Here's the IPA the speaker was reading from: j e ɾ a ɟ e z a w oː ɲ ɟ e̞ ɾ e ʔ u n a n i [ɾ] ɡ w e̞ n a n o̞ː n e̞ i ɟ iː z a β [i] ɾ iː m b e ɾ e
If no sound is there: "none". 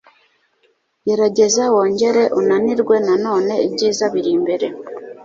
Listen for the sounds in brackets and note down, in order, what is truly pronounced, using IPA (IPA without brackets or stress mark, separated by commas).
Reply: ɾ, i